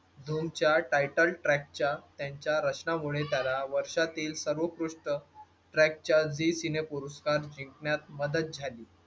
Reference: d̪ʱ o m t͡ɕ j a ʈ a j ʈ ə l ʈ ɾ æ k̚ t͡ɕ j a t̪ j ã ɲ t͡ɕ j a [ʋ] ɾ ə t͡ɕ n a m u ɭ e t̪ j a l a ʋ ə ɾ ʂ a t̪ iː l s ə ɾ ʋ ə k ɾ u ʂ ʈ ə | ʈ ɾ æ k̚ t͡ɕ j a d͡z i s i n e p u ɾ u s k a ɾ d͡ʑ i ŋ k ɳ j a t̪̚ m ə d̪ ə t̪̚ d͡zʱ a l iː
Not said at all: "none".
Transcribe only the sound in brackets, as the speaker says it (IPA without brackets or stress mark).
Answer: none